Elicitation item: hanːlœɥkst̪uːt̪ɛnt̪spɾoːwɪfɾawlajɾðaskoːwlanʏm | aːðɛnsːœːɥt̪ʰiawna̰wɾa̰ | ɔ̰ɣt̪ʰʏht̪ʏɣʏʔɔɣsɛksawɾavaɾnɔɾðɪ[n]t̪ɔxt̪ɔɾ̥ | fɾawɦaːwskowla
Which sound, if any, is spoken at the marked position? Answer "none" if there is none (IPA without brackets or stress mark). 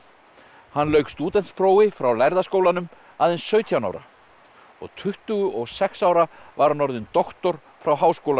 n